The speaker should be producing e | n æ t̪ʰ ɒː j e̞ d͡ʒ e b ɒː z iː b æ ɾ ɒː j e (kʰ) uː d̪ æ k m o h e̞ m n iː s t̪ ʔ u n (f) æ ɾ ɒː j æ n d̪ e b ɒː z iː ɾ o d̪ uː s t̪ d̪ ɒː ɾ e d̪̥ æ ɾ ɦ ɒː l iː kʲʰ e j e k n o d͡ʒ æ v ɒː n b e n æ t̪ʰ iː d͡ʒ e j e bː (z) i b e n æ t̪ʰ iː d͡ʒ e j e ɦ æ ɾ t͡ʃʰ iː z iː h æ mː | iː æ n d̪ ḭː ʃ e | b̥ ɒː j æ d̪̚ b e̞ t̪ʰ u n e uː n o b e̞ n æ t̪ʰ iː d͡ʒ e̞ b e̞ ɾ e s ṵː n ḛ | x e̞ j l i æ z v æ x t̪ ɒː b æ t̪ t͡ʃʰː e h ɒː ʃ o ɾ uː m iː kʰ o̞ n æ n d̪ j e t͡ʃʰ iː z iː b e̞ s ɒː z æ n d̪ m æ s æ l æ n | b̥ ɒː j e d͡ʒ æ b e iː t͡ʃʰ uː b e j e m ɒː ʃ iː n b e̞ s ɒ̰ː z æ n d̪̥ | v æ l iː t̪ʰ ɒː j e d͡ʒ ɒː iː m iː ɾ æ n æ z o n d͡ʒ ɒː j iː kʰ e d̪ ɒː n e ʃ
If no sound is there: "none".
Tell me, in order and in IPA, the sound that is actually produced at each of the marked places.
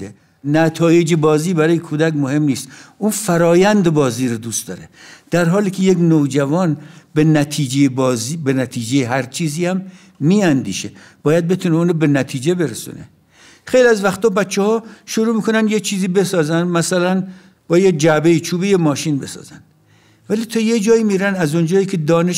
kʰ, f, z

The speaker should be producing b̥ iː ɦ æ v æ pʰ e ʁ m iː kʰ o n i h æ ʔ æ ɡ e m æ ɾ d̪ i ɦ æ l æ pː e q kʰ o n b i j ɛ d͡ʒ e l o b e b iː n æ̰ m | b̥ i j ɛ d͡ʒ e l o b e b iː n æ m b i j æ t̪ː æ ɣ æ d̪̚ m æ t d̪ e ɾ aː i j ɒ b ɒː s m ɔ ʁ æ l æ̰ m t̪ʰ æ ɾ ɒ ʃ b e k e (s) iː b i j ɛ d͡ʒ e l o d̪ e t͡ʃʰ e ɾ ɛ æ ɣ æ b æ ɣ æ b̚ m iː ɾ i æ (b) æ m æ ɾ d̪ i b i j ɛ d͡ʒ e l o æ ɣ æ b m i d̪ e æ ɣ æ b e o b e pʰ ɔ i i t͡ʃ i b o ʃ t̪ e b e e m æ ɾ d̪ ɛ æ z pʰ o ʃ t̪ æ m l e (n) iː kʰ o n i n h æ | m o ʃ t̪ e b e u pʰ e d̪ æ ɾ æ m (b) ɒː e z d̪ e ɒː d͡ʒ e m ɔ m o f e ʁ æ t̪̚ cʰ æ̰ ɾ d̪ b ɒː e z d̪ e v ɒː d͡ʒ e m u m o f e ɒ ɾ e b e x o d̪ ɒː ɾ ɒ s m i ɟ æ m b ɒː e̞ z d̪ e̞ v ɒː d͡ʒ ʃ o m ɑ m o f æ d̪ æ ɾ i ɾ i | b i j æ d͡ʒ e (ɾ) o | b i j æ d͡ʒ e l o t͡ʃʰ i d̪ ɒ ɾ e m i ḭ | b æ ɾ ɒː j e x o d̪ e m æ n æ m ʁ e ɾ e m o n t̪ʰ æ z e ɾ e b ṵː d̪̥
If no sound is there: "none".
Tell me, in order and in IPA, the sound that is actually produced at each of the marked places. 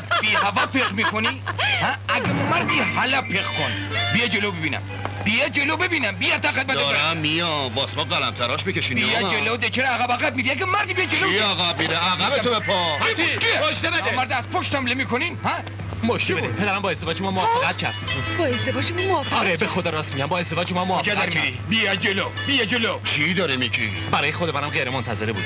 ʃ, ɡ, m, b, l

